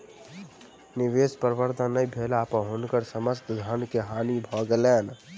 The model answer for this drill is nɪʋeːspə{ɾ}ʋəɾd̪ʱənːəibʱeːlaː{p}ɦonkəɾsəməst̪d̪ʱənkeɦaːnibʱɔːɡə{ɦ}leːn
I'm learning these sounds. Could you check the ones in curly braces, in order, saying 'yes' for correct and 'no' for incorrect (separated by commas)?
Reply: yes, yes, no